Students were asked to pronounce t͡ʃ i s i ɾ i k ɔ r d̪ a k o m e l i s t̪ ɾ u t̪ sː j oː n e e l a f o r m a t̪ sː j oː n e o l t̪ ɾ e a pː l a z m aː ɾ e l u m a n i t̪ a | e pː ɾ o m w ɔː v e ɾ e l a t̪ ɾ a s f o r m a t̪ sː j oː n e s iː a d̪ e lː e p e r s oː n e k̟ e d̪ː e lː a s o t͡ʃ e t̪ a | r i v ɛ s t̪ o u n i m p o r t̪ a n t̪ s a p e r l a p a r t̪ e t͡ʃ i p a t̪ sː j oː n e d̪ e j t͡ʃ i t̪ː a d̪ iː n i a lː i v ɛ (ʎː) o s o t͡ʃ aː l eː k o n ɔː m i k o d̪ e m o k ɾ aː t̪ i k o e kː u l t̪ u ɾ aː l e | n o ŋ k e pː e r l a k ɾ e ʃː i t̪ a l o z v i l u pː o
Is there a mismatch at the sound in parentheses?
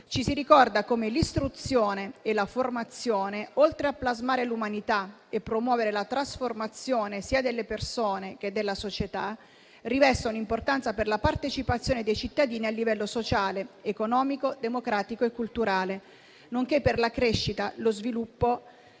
yes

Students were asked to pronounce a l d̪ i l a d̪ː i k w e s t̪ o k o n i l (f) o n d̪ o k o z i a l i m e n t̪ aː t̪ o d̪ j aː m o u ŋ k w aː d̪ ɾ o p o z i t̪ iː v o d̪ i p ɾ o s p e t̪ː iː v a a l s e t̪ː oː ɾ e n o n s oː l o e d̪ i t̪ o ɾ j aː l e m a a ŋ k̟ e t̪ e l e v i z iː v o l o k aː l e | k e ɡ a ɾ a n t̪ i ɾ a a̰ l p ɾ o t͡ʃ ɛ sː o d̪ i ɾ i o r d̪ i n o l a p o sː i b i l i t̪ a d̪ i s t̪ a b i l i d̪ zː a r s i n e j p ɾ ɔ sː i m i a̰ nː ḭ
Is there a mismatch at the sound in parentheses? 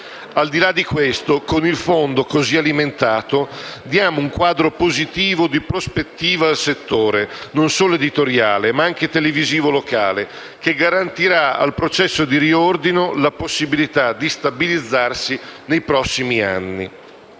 no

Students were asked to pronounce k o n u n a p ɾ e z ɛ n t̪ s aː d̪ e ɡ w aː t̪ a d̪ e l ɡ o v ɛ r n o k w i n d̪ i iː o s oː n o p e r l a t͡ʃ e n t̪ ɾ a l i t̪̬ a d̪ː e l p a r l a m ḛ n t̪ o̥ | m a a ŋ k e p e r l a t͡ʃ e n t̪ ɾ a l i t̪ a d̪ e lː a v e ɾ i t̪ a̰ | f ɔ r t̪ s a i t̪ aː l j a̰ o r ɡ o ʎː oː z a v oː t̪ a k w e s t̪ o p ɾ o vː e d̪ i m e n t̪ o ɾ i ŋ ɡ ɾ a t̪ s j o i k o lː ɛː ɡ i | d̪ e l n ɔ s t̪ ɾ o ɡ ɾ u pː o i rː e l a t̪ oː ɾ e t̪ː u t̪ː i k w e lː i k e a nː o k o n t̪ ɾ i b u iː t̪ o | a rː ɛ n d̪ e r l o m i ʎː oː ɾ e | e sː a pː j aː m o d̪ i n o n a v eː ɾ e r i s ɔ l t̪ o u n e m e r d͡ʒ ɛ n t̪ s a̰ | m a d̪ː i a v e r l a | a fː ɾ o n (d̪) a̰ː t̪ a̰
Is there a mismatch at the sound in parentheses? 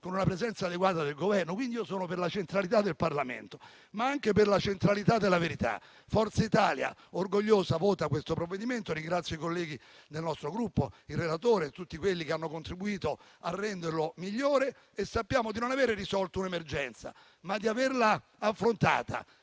yes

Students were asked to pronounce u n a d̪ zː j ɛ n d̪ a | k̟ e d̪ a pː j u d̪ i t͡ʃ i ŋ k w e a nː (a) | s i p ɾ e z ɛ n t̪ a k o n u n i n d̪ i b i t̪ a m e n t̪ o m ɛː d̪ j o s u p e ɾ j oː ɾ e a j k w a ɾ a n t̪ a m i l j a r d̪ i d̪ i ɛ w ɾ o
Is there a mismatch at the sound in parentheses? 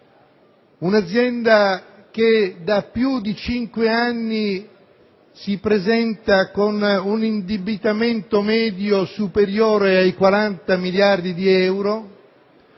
yes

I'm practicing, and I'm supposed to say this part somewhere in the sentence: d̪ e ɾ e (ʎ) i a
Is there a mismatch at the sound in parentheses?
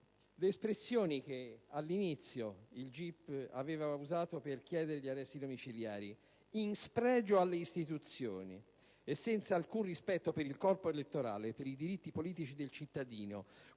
no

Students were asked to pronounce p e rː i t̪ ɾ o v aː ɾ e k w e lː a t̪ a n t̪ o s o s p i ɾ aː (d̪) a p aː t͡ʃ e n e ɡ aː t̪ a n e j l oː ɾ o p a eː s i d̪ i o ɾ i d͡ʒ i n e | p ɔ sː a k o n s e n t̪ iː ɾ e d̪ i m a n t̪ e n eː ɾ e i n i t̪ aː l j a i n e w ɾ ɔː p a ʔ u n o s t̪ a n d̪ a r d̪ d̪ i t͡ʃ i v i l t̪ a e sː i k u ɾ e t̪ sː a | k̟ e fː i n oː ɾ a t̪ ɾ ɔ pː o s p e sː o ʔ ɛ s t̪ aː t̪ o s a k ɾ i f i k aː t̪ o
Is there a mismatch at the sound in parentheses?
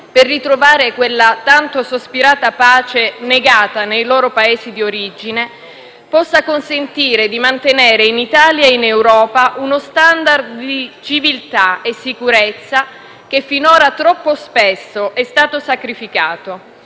yes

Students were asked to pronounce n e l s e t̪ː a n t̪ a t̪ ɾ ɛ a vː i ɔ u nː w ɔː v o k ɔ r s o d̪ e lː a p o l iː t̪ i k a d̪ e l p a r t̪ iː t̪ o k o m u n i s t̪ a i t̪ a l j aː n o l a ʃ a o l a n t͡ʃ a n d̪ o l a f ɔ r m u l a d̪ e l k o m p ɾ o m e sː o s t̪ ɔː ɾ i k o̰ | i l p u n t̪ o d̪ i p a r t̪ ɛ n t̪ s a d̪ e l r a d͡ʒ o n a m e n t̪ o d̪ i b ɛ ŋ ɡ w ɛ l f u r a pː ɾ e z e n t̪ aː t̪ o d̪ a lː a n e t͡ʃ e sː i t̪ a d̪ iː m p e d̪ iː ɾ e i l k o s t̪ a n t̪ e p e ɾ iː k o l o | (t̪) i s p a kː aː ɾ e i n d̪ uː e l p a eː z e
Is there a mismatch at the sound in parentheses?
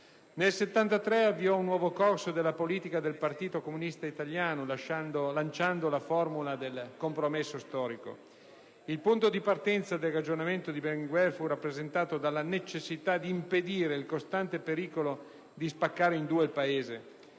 yes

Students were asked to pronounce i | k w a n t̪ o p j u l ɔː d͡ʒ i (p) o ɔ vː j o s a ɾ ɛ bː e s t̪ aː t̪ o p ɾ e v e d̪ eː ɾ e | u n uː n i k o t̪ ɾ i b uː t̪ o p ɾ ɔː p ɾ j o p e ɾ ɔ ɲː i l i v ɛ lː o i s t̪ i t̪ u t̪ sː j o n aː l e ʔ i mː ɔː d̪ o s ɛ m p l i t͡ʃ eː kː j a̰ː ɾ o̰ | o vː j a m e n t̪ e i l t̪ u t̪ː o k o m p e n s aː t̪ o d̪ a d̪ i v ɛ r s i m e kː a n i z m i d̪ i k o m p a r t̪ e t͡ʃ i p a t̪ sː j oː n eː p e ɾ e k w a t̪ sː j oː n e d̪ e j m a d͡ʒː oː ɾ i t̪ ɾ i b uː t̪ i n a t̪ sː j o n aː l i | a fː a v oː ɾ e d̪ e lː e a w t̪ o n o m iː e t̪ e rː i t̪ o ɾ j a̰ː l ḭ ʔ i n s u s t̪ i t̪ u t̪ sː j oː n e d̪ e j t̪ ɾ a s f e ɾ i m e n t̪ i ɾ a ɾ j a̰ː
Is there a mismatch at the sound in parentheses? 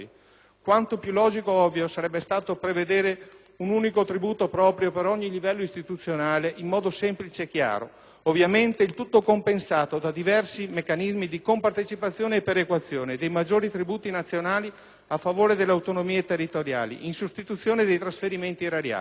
yes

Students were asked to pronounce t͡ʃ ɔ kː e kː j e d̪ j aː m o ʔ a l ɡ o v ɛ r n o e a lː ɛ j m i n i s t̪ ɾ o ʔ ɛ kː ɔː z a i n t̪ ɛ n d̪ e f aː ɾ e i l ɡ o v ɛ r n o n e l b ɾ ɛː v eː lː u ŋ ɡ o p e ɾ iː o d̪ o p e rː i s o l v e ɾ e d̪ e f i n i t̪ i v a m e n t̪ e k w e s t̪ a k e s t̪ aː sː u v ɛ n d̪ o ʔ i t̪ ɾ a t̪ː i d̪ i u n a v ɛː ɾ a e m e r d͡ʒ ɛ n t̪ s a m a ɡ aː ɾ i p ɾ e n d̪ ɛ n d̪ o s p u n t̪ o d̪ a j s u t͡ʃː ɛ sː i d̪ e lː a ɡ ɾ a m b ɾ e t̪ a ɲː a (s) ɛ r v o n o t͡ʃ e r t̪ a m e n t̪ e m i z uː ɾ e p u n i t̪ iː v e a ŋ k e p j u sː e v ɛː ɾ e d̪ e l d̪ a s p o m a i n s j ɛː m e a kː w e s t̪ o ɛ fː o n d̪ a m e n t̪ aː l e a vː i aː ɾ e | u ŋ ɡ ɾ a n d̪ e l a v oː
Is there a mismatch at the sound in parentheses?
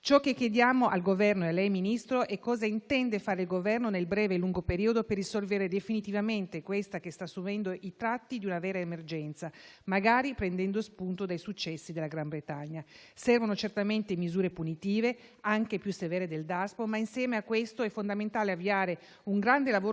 no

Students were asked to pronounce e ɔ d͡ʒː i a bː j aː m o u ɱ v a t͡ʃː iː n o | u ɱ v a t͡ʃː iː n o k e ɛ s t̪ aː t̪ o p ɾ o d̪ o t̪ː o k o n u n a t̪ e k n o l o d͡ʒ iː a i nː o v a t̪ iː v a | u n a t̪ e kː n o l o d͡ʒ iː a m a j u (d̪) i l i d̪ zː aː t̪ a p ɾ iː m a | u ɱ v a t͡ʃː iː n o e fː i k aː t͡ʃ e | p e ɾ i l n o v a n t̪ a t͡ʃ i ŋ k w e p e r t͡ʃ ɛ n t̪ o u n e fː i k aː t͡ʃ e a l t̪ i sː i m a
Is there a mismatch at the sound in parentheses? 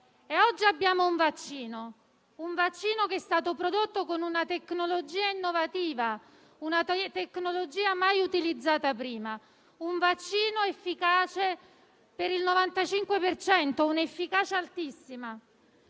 yes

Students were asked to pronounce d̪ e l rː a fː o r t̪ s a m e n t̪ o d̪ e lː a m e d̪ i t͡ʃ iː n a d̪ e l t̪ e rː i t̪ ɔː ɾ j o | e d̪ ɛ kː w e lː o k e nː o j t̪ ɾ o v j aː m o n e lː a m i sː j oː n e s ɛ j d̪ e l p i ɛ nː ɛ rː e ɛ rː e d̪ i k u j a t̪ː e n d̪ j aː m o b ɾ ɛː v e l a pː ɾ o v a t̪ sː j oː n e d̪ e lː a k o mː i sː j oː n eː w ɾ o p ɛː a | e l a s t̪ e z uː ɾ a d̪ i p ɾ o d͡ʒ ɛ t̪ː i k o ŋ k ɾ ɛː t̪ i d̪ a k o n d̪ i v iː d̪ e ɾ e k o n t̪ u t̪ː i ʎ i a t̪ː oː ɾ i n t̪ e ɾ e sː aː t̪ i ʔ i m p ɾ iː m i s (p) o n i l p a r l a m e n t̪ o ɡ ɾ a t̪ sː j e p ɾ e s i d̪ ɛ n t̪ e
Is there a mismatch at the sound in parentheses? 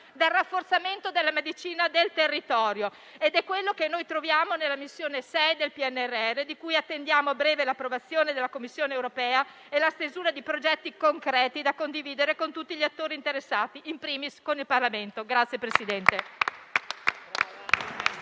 yes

